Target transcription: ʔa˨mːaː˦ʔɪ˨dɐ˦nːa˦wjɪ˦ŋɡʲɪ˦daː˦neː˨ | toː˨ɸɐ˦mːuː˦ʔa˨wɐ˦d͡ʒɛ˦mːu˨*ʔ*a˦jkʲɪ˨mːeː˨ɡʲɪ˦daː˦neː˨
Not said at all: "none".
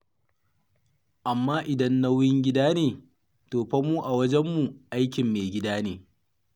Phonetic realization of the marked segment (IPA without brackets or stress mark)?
ʔ